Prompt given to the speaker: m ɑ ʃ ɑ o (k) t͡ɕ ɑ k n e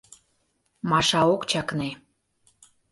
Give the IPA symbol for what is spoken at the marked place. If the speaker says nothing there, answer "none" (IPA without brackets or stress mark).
k